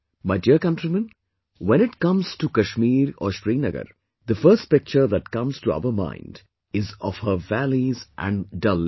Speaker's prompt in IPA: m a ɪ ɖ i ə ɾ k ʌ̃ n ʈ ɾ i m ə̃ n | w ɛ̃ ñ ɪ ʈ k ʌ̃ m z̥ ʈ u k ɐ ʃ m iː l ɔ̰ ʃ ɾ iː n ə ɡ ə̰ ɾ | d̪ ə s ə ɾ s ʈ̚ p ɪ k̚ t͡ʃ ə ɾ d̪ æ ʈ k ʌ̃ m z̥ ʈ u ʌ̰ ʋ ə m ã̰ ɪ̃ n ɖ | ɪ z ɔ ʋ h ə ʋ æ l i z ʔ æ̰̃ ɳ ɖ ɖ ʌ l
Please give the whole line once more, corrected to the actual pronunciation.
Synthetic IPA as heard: m a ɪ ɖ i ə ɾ k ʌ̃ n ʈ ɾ i m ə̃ n | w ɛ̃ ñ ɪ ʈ k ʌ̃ m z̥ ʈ u k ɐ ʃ m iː ɾ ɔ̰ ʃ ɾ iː n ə ɡ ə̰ ɾ | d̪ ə f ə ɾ s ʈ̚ p ɪ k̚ t͡ʃ ə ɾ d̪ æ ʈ k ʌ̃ m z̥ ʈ u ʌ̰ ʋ ə m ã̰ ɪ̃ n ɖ | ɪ z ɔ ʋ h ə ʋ æ l i z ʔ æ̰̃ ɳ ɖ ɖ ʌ l